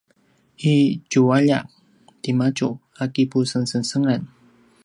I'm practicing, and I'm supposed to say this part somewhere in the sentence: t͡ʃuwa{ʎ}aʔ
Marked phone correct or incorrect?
correct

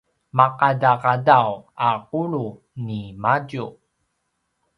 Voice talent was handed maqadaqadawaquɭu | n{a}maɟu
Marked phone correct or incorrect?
incorrect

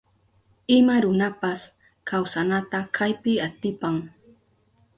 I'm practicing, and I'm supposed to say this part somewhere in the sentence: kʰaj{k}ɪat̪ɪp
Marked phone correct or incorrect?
incorrect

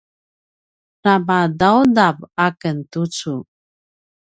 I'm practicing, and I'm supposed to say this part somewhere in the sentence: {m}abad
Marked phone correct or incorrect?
incorrect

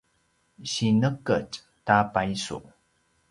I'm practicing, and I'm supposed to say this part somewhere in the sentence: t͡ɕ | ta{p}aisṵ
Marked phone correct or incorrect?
correct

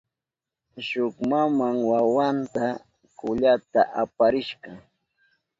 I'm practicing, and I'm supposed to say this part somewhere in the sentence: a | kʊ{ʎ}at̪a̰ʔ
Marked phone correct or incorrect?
correct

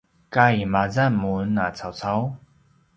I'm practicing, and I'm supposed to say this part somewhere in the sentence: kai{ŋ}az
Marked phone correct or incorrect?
incorrect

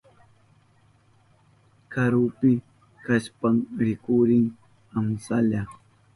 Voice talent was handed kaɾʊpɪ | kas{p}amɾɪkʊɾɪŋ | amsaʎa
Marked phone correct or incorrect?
correct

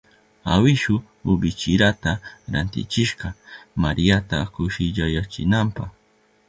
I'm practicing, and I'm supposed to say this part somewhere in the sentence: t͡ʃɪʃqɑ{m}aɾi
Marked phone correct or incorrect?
correct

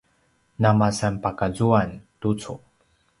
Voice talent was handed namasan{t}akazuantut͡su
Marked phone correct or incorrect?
incorrect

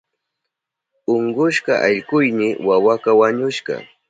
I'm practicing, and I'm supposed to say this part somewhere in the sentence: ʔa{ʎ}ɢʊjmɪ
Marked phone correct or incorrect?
correct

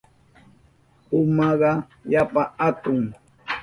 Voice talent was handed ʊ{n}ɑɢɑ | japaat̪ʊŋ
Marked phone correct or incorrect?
incorrect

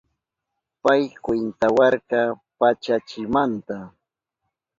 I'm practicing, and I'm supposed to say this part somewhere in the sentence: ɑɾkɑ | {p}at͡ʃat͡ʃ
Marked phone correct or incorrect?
correct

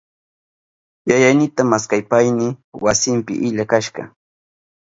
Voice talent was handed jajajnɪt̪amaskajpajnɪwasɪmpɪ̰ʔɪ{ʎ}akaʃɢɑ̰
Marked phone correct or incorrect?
correct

